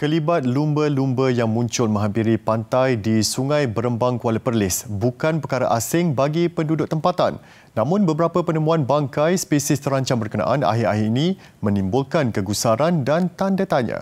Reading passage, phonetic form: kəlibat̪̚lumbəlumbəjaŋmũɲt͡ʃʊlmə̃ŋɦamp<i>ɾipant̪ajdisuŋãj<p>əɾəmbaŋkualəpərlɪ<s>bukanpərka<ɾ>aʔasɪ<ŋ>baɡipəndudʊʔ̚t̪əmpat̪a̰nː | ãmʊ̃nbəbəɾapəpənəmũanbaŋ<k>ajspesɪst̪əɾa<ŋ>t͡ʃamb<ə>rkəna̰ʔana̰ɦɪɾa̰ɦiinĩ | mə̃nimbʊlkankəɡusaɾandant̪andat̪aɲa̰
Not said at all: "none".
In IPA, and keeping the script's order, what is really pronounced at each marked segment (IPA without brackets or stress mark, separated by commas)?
i, b, s, ɾ, ŋ, k, ɲ, ə